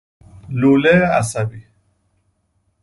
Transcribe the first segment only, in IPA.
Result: l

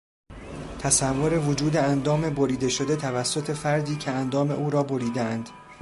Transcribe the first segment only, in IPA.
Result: t̪ʰ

